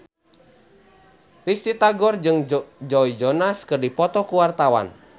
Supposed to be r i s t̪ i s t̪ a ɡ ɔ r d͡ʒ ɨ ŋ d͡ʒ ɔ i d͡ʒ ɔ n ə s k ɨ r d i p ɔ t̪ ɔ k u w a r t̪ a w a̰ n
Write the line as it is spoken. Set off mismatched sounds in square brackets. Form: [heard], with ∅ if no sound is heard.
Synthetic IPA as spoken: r i s t̪ i [∅] t̪ a ɡ ɔ r d͡ʒ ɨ ŋ d͡ʒ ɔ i d͡ʒ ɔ n [a] s k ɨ r d i p ɔ t̪ ɔ k u w a r t̪ a w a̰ n

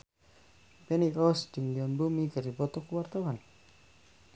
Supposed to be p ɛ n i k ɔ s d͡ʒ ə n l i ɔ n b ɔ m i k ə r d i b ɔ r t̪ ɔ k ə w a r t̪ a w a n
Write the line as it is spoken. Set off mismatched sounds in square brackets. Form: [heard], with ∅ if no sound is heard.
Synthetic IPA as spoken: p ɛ n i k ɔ s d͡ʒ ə [ŋ] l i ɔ n b [u] m i k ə r d i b ɔ [∅] t̪ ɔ k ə w a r t̪ a w a n

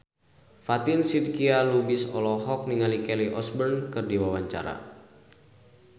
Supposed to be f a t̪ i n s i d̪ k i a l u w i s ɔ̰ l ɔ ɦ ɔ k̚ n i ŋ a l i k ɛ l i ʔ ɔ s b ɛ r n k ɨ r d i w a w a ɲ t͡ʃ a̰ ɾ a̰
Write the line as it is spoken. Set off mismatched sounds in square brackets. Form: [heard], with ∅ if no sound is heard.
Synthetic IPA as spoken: f a t̪ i n s i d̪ k i a l u [b] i s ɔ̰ l ɔ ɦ ɔ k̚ n i ŋ a l i k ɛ l i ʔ ɔ s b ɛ r n k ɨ r d i w a w a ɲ t͡ʃ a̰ ɾ a̰

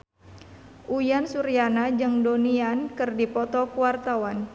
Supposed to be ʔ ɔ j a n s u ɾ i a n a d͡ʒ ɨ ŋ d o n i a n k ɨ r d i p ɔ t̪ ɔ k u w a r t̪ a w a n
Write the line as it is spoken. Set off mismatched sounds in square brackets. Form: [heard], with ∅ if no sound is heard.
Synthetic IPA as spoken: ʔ [u] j a n s u ɾ i a n a d͡ʒ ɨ ŋ d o n i a n k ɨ r d i p ɔ t̪ ɔ k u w a r t̪ a w a n

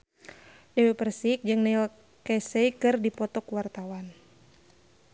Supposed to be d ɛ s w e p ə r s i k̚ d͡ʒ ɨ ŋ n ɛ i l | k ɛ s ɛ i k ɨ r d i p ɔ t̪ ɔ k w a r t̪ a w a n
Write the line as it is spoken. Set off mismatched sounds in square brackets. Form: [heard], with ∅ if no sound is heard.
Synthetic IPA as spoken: d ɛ [∅] w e p ə r s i k̚ d͡ʒ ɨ ŋ n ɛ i l | k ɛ s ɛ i k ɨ r d i p ɔ t̪ ɔ k w a r t̪ a w a n

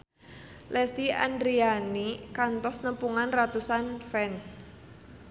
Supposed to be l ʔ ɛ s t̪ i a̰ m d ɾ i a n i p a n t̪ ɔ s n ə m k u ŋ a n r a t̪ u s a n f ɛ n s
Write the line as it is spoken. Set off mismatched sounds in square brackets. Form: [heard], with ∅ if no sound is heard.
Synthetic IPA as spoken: l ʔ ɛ s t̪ i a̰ [n] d ɾ i a n i [k] a n t̪ ɔ s n ə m [p] u ŋ a n r a t̪ u s a n f ɛ n s

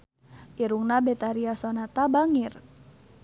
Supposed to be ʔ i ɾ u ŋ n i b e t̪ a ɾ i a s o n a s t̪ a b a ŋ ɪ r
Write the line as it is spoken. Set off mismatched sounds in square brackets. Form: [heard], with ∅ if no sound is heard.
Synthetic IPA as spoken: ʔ i ɾ u ŋ n [a] b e t̪ a ɾ i a s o n a [∅] t̪ a b a ŋ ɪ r

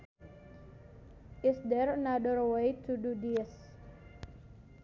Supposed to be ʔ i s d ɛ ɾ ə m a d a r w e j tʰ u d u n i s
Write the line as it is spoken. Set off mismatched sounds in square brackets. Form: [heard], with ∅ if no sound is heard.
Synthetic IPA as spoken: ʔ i s d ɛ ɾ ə [n] a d [ə] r w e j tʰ u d u [d] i s

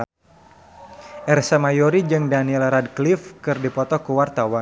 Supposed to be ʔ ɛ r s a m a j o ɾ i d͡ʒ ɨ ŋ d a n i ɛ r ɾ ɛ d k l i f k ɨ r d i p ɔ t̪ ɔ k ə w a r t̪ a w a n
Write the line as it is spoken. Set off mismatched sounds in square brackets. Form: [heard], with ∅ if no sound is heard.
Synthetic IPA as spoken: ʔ ɛ r s a m a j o ɾ i d͡ʒ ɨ ŋ d a n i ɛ [l] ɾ [a] d k l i f k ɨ r d i p ɔ t̪ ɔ k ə w a r t̪ a w a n

